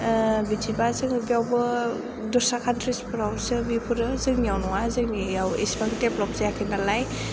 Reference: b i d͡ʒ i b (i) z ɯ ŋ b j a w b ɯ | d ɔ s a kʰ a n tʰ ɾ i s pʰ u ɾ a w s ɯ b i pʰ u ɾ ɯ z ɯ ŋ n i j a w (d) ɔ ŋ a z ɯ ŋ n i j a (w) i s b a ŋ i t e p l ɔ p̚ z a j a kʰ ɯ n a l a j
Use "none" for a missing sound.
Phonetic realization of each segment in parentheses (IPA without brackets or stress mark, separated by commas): a, n, w